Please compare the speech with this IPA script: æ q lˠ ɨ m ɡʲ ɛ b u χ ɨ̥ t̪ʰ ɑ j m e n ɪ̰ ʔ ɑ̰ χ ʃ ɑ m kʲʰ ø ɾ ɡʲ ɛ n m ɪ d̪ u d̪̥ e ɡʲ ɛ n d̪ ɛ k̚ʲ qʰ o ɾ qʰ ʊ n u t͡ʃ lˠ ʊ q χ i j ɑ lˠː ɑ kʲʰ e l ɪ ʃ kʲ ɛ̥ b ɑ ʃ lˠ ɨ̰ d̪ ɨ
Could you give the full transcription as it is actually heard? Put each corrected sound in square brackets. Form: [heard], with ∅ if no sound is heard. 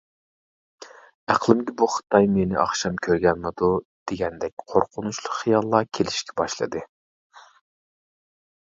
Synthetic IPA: æ q lˠ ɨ m ɡʲ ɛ b u χ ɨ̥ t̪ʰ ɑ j m e n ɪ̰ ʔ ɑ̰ χ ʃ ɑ m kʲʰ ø ɾ ɡʲ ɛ n m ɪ d̪ u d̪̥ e ɡʲ ɛ n d̪ ɛ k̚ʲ qʰ o ɾ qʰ ʊ n u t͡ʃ lˠ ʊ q χ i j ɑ lˠː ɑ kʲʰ e l ɪ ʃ kʲ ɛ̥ b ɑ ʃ lˠ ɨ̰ d̪ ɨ